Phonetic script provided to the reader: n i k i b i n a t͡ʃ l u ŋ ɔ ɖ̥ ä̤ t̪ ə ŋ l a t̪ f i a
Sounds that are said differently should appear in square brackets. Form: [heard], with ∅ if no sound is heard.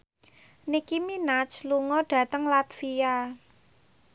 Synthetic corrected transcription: n i k i [m] i n a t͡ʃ l u ŋ ɔ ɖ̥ ä̤ t̪ ə ŋ l a t̪ f i a